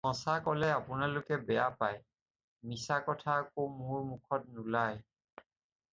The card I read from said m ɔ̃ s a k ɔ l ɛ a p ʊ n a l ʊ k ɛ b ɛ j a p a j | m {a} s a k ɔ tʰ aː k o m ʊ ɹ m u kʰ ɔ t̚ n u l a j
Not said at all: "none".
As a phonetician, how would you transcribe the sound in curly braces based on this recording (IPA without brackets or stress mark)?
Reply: i